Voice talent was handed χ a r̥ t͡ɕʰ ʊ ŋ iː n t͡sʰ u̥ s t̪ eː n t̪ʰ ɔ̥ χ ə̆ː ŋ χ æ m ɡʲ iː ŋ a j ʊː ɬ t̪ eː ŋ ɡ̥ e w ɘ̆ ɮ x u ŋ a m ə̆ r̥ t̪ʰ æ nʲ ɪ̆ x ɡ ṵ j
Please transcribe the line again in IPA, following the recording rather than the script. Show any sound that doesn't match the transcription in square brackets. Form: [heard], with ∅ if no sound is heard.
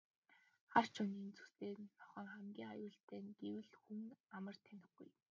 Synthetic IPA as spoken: χ a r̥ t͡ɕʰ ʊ [n] iː n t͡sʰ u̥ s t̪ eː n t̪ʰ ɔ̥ χ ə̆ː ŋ χ æ m ɡʲ iː ŋ a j ʊː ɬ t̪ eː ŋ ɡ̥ e w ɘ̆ ɮ x u ŋ a m ə̆ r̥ t̪ʰ æ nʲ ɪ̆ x ɡ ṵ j

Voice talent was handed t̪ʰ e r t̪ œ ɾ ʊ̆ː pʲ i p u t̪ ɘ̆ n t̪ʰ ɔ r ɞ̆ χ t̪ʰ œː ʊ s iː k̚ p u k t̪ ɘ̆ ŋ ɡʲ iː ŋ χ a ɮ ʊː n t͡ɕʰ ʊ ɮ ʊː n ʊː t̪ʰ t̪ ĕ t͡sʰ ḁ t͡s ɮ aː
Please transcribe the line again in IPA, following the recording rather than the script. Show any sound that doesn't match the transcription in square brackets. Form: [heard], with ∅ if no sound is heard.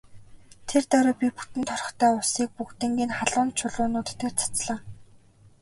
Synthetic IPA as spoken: t̪ʰ e r t̪ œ ɾ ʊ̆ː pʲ i p u t̪ ɘ̆ n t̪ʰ ɔ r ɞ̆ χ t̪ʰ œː ʊ s iː k̚ p u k t̪ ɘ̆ ŋ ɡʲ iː [n] χ a ɮ ʊː n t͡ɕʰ ʊ ɮ ʊː n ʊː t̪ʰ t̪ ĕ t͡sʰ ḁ t͡s ɮ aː

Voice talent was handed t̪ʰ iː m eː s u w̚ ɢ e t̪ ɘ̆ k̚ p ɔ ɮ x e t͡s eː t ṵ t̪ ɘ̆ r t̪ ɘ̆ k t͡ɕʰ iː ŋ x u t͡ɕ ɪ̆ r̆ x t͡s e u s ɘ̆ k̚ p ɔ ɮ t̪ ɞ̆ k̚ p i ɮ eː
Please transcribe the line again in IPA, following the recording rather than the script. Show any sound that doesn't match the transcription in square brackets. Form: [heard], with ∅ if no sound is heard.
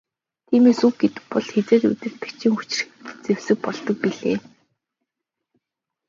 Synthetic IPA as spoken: t̪ʰ iː m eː s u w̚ [ɡ] e t̪ ɘ̆ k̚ p ɔ ɮ x e t͡s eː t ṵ t̪ ɘ̆ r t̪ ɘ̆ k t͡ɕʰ iː ŋ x u t͡ɕ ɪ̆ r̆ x t͡s e [w] s ɘ̆ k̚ p ɔ ɮ t̪ ɞ̆ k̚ p i ɮ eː

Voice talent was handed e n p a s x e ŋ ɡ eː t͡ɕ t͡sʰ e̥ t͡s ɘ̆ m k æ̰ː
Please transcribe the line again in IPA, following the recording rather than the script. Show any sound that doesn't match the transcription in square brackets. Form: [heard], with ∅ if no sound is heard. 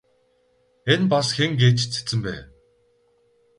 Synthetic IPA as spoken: e n p a s x e ŋ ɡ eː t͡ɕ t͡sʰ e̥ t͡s ɘ̆ m [p] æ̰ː

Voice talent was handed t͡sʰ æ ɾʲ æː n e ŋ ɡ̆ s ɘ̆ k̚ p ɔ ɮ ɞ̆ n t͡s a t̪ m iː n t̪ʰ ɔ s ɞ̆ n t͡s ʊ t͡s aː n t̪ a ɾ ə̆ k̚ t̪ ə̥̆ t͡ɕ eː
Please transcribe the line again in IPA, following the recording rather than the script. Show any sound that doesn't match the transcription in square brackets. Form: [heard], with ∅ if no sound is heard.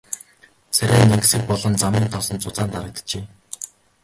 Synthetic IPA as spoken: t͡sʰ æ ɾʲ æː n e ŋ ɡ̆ s ɘ̆ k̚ p ɔ ɮ ɞ̆ n t͡s a [∅] m iː n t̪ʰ ɔ s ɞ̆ n t͡s ʊ t͡s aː n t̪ a ɾ ə̆ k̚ t̪ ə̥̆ t͡ɕ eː

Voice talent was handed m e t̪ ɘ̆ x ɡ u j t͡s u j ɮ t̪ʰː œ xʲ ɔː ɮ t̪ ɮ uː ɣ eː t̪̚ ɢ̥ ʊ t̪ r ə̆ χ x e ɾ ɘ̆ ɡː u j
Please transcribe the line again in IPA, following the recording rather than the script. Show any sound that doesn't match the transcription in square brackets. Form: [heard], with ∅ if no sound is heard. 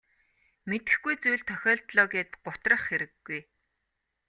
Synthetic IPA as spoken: m e t̪ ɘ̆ x ɡ u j t͡s u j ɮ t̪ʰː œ xʲ ɔː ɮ t̪ ɮ [ɔː] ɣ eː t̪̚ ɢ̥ ʊ t̪ r ə̆ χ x e ɾ ɘ̆ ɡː u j

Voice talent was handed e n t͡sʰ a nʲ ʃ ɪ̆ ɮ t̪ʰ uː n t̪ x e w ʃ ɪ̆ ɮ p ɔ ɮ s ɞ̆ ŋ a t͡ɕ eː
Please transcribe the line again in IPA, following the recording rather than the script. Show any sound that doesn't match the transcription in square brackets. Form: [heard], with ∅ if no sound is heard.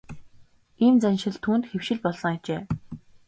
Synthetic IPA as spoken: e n [t͡s] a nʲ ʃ ɪ̆ ɮ t̪ʰ uː n t̪ x e w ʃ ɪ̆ ɮ p ɔ ɮ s ɞ̆ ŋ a t͡ɕ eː

